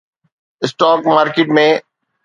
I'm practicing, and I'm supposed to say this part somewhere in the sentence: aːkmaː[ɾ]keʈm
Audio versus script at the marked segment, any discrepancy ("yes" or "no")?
no